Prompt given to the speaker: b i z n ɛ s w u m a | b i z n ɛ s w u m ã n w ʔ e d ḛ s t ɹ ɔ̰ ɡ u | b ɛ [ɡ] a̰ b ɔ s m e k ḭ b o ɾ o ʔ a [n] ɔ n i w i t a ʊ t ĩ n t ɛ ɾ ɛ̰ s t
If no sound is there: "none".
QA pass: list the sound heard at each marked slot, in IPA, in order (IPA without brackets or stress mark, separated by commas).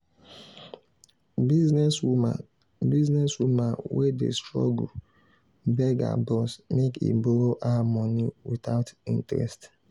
ɡ, m